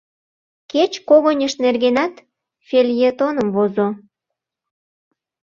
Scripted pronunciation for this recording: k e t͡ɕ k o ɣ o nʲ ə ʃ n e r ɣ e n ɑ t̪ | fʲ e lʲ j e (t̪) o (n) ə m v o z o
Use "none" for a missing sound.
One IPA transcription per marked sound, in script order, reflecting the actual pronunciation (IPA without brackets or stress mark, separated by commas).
t̪, n